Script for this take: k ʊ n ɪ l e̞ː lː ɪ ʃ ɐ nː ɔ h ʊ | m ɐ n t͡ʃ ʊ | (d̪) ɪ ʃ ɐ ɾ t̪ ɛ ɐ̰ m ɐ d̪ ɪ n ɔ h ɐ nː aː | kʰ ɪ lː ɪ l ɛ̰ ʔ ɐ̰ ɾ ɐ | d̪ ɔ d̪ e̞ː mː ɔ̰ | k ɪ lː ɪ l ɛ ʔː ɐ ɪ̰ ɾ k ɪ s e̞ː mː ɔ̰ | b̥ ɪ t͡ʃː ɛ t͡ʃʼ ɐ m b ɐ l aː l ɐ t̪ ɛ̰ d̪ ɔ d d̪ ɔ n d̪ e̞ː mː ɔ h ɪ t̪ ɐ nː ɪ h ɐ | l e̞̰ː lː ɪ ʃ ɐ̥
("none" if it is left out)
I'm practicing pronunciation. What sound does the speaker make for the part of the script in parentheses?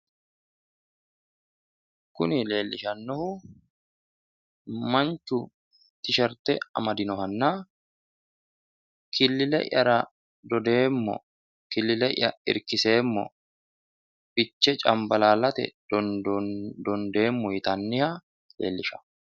t̪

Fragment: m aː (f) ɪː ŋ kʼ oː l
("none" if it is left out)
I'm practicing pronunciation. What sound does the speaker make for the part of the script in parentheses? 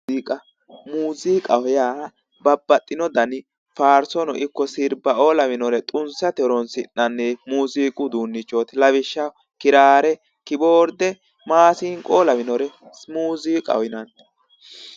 s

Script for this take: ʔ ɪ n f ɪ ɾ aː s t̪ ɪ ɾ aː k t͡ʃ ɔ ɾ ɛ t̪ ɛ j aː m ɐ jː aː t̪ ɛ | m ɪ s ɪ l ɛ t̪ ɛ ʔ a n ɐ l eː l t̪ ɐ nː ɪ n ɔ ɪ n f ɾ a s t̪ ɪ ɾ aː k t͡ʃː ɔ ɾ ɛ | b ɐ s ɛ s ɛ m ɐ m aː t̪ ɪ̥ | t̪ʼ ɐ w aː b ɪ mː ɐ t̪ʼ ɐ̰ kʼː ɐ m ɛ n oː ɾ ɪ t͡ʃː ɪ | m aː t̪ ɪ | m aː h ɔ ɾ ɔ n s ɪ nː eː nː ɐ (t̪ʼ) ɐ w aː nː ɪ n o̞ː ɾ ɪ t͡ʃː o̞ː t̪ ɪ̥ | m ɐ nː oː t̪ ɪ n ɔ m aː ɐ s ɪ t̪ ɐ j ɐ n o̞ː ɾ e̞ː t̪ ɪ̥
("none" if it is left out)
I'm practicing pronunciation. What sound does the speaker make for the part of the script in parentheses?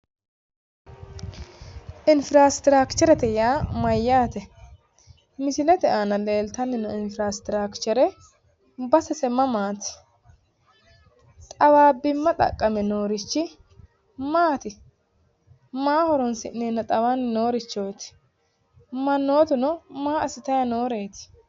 t̪ʼ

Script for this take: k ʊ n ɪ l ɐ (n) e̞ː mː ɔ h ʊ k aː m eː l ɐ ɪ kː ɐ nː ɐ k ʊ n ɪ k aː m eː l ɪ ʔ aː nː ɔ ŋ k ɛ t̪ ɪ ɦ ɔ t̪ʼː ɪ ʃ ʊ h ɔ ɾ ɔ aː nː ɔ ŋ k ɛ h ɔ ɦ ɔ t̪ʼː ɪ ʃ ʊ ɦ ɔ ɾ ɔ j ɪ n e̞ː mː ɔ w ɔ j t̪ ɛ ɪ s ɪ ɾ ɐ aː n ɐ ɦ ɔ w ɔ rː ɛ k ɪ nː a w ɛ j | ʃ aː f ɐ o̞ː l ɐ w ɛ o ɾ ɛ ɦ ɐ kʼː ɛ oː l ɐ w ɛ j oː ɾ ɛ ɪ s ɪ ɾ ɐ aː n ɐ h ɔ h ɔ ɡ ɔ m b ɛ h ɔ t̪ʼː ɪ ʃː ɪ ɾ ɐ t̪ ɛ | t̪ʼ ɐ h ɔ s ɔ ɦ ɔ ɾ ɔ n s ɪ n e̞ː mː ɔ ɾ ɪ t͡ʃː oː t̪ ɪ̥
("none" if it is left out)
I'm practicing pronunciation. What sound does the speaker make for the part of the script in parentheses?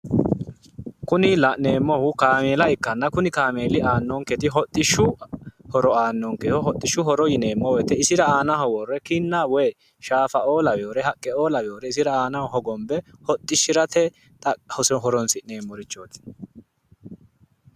n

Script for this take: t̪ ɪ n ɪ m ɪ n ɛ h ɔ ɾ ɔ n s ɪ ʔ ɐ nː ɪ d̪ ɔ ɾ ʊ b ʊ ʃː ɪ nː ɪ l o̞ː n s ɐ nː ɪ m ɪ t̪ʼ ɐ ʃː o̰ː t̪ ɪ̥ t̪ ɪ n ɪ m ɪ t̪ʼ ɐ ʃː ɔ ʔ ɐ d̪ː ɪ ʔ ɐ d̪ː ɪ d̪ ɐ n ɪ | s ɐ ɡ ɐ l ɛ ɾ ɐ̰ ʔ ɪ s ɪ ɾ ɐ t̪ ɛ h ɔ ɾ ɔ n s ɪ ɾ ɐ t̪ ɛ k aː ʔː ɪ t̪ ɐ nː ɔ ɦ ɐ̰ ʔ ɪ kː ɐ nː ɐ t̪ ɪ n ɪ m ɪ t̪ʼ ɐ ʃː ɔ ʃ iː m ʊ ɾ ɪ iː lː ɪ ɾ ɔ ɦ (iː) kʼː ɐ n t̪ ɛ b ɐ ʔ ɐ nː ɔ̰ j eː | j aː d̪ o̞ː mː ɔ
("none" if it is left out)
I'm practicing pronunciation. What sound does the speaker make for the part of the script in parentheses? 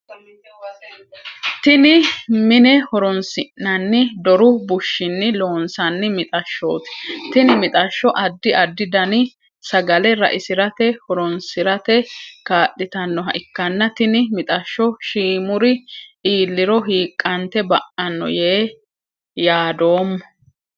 iː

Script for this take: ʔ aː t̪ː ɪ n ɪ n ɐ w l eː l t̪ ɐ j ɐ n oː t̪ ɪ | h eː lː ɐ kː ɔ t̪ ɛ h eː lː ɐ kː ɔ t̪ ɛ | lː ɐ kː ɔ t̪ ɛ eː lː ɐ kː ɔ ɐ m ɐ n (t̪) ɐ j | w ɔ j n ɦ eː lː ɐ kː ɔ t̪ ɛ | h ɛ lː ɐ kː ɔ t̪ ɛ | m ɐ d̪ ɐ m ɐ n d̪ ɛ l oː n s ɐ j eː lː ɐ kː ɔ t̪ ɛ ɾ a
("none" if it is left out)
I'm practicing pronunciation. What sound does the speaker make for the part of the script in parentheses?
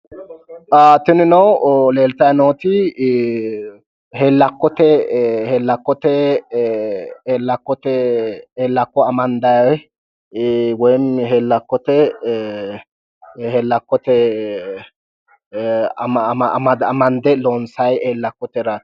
d̪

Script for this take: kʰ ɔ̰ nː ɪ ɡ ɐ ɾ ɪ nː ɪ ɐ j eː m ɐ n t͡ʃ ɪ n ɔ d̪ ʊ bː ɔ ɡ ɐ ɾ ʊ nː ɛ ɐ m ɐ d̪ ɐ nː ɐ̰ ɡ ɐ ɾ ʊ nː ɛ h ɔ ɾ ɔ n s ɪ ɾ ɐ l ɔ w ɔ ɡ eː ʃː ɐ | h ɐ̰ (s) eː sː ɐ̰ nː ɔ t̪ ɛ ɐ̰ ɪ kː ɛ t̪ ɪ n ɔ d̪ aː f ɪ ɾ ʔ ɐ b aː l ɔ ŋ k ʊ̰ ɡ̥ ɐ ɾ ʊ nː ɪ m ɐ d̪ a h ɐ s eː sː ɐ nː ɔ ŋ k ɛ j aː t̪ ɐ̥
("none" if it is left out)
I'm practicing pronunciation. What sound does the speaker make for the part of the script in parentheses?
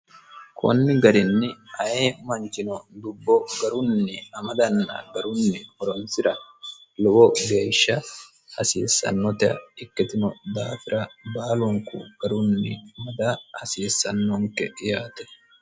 s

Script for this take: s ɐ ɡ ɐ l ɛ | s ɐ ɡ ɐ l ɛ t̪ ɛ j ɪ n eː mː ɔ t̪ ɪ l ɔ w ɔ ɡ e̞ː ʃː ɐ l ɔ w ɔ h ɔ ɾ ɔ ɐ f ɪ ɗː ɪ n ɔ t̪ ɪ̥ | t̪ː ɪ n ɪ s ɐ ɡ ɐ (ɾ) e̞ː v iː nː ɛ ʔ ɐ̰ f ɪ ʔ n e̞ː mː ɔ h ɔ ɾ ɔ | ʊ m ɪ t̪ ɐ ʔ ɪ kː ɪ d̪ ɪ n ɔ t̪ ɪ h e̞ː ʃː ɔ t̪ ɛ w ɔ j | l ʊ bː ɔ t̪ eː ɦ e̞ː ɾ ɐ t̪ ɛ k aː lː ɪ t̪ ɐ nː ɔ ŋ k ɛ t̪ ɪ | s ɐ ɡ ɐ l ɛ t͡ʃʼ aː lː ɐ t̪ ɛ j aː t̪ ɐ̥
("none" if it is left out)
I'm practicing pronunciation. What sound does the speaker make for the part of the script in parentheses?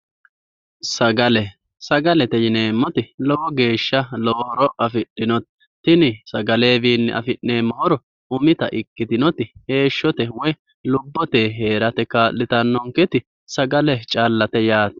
l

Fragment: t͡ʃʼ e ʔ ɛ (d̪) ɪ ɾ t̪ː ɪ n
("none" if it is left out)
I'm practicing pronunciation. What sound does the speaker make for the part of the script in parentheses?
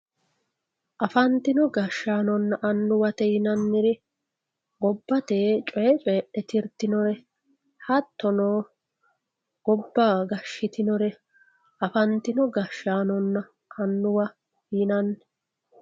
t̪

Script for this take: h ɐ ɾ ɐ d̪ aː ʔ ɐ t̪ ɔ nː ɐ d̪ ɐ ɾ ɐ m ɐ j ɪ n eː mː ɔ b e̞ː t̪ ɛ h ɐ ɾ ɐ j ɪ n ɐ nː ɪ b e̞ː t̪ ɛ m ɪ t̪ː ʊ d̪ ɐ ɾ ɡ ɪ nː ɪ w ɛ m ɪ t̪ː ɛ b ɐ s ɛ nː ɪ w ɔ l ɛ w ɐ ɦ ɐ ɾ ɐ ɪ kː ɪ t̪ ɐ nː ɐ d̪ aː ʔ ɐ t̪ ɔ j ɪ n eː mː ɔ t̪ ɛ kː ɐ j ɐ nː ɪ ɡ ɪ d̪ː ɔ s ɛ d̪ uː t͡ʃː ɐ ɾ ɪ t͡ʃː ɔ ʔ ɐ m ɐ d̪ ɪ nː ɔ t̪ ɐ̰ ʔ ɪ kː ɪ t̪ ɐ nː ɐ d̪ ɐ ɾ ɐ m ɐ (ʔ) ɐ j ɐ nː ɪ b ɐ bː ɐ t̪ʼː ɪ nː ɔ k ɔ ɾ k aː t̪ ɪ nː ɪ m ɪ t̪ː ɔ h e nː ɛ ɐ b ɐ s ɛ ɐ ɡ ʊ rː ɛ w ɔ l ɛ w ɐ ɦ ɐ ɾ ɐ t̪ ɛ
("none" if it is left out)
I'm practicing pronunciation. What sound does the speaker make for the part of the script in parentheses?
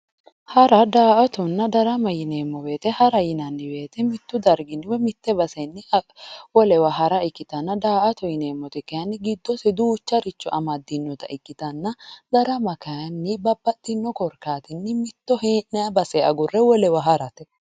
k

